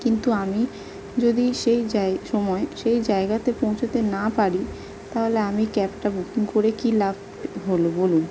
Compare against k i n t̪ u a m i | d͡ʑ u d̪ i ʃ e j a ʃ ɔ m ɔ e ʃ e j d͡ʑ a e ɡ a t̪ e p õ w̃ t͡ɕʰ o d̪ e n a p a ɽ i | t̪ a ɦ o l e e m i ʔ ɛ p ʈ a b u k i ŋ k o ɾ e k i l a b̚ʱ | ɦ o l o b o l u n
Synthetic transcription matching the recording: k i n t̪ u a m i | d͡ʑ o d̪ i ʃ e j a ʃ ɔ m ɔ e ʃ e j d͡ʑ a e ɡ a t̪ e p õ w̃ t͡ɕʰ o t̪ e n a p a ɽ i | t̪ a ɦ o l e a m i k ɛ p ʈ a b u k i ŋ k o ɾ e k i l a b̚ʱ | ɦ o l o b o l u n